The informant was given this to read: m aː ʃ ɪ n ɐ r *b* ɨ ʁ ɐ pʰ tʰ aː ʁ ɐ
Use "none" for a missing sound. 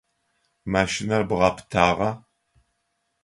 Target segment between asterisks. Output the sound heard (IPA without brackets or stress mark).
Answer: b